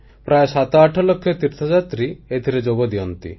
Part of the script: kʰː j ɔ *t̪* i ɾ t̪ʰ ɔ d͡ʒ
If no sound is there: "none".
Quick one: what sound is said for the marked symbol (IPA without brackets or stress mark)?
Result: t̪